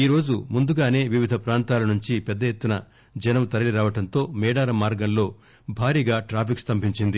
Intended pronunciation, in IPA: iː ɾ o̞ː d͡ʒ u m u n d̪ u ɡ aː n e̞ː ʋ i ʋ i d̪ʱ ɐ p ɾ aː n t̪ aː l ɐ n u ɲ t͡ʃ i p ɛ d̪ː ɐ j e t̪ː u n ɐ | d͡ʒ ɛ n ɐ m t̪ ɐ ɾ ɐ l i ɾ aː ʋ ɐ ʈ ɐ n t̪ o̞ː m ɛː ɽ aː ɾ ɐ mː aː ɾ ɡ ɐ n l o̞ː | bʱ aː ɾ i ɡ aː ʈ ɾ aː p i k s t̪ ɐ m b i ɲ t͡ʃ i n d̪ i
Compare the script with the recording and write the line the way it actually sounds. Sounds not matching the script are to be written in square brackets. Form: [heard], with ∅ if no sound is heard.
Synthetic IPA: iː ɾ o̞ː d͡ʒ u m u n d̪ u ɡ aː n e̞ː ʋ i ʋ i d̪ʱ ɐ p ɾ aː n t̪ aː l ɐ n u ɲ t͡ʃ i p ɛ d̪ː ɐ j e t̪ː u n ɐ | d͡ʒ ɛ n ɐ m t̪ ɐ ɾ ɐ l i ɾ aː ʋ ɐ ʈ ɐ n t̪ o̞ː m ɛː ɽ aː ɾ ɐ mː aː ɾ ɡ ɐ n l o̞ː | bʱ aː ɾ [iː] ɡ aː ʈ ɾ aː p i k s t̪ ɐ m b i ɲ t͡ʃ i n d̪ i